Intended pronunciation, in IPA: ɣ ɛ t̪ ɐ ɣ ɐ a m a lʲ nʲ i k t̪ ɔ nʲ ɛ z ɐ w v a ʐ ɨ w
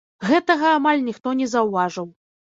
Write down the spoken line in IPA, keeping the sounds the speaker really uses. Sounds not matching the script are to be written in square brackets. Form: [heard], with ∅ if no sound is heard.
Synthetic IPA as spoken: ɣ ɛ t̪ ɐ ɣ ɐ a m a lʲ nʲ i [x] t̪ ɔ nʲ ɛ z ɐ w v a ʐ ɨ w